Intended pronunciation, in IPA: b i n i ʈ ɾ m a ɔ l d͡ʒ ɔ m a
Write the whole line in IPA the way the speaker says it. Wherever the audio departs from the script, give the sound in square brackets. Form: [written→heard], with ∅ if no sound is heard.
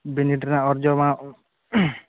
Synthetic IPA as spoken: b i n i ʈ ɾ [m→n] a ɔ [l→ɾ] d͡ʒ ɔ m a